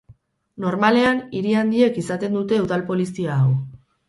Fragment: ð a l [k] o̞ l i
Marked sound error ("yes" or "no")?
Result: yes